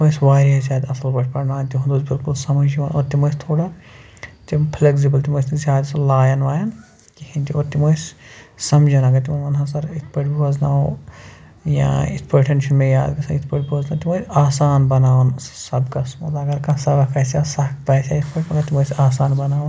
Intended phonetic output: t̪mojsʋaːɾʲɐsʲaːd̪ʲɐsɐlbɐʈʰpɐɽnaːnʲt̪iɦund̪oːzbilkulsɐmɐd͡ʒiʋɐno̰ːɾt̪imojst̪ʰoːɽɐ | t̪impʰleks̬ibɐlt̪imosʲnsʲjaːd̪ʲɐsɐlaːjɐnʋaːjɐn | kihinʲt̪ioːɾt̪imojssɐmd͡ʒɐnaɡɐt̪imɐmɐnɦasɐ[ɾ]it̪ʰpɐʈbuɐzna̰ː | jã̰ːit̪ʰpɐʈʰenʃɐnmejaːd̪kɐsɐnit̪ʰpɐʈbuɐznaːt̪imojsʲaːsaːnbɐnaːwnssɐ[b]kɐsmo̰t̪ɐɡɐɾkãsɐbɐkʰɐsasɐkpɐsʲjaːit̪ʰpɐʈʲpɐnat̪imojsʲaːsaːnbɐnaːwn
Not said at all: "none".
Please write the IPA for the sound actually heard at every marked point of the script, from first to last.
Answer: ɾ, b

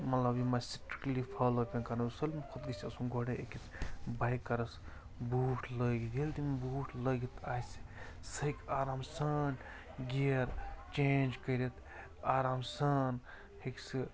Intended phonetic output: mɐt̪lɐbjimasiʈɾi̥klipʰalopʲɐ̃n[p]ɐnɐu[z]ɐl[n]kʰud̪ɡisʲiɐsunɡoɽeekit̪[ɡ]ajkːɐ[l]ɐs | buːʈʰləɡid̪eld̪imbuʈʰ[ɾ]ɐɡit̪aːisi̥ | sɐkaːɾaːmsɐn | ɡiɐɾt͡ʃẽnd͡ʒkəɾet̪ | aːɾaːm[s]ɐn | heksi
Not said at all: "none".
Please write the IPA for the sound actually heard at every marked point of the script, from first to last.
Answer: k, s, m, b, ɾ, l, s

